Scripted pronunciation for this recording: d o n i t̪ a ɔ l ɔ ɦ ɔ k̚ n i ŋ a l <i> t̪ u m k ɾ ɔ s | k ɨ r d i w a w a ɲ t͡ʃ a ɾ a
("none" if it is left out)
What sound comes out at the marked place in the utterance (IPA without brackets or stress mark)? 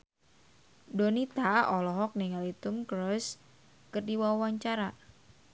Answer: i